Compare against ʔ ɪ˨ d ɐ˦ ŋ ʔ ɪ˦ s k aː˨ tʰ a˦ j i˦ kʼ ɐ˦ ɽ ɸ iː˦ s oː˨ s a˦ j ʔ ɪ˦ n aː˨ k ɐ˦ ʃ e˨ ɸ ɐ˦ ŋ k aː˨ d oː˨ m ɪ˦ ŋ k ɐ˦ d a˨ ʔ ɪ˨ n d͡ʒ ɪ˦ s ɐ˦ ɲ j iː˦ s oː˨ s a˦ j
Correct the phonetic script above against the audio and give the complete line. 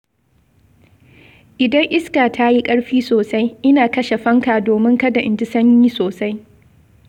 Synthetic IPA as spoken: ʔ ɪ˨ d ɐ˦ ŋ ʔ ɪ˦ s k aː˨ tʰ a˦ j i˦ kʼ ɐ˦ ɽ ɸ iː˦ s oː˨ s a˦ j ʔ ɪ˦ n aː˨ k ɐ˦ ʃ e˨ ɸ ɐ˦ ŋ k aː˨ d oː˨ m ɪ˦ ŋ k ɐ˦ d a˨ ʔ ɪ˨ n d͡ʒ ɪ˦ s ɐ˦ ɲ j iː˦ s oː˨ s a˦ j